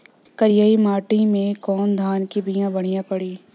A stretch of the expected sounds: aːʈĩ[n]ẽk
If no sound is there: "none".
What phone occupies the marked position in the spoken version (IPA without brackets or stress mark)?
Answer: m